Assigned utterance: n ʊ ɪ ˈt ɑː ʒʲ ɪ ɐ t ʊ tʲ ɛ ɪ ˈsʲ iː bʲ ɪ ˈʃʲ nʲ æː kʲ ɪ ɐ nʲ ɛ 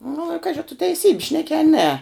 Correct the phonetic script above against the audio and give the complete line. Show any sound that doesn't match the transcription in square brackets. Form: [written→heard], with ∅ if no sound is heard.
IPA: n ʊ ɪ [ˈt→ˈk] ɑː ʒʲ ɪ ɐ t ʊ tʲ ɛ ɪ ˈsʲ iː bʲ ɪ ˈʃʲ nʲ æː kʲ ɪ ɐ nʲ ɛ

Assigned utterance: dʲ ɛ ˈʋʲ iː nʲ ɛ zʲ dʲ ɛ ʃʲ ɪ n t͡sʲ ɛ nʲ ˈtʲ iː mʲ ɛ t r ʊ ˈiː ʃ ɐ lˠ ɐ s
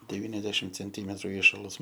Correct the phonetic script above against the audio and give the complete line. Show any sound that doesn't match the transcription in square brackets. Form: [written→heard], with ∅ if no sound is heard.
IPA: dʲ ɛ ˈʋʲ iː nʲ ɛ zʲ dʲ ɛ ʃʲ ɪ [n→m] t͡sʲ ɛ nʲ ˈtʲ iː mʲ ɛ t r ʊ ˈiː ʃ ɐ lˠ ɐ s

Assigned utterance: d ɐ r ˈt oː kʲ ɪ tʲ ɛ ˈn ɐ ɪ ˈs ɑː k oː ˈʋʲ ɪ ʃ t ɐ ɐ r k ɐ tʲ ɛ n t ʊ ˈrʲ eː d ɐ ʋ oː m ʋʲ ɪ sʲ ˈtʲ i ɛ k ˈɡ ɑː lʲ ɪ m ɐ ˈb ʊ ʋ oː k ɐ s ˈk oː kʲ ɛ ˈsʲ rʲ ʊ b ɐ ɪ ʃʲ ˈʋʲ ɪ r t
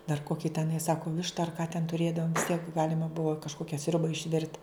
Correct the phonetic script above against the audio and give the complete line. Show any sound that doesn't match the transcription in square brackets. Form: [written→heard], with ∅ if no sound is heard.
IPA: d ɐ r [ˈt→ˈk] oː kʲ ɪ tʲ ɛ ˈn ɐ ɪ ˈs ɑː k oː ˈʋʲ ɪ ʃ t ɐ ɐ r k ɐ tʲ ɛ n t ʊ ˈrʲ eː d ɐ ʋ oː m ʋʲ ɪ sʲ ˈtʲ i ɛ k ˈɡ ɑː lʲ ɪ m ɐ ˈb ʊ ʋ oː k ɐ [s→ʃ] ˈk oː kʲ ɛ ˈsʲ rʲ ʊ b ɐ ɪ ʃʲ ˈʋʲ ɪ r t

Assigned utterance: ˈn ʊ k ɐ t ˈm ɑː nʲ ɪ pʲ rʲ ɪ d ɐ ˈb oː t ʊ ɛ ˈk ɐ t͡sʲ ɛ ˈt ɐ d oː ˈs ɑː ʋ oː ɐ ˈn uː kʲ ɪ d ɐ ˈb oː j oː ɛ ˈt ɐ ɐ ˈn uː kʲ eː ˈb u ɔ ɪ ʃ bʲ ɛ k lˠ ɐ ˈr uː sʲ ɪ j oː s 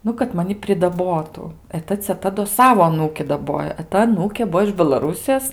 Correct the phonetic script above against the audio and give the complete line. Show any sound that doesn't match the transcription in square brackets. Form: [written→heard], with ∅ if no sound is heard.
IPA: ˈn ʊ k ɐ t ˈm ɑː nʲ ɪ pʲ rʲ ɪ d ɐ ˈb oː t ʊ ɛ [ˈk→ˈt] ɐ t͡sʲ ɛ ˈt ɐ d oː ˈs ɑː ʋ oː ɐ ˈn uː kʲ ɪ d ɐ ˈb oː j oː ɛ ˈt ɐ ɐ ˈn uː kʲ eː ˈb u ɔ ɪ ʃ bʲ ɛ [k→∅] lˠ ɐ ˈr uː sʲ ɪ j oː s

